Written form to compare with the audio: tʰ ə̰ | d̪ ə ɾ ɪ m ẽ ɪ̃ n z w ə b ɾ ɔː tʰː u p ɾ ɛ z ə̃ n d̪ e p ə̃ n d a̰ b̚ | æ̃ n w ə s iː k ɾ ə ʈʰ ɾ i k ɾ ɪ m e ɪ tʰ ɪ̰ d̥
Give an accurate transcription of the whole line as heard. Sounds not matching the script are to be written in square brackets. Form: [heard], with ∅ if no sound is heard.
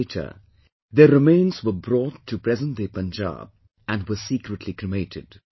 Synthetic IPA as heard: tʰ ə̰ | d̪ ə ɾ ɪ m ẽ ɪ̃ n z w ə b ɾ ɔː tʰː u p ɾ ɛ z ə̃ n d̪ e p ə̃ n [d͡ʒ] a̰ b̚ | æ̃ n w ə s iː k ɾ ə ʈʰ [l] i k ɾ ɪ m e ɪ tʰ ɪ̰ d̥